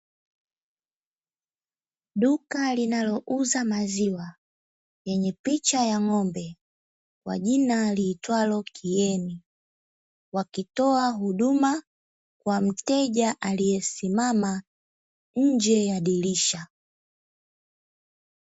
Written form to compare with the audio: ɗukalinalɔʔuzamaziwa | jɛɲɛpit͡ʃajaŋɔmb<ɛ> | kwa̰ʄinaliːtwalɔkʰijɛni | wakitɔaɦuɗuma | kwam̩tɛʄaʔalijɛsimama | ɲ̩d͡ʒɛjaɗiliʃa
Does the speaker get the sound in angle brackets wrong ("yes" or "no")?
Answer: no